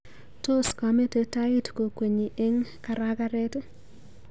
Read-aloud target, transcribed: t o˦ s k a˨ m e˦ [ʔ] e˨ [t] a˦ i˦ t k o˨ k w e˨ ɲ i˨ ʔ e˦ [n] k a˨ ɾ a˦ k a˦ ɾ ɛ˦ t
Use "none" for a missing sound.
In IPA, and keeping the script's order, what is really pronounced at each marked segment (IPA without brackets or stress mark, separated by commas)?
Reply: t, t, ŋ